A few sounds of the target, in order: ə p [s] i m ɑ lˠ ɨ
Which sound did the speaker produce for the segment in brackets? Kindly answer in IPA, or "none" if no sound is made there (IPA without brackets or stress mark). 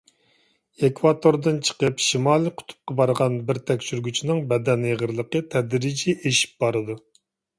ʃ